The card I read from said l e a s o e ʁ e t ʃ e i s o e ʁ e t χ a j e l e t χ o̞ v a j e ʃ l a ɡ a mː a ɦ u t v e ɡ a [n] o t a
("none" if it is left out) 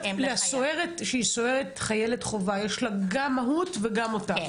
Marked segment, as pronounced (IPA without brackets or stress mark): m